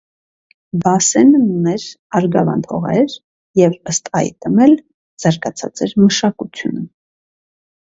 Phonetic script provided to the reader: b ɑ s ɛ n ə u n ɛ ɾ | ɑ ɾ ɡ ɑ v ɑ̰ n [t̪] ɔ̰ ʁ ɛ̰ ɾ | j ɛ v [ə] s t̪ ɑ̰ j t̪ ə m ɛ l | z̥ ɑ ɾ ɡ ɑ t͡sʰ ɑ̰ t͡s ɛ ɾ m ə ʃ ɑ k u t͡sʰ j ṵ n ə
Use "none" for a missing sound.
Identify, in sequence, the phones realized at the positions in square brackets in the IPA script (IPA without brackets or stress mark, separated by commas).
t̪ʰ, ə